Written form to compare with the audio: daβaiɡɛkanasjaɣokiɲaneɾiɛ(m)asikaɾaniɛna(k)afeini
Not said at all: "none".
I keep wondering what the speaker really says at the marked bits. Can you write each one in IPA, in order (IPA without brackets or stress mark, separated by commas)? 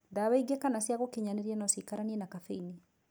n, k